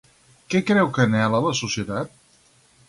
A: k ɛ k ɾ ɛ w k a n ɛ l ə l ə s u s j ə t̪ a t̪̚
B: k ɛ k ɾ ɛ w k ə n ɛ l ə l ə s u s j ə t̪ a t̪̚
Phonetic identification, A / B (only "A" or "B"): B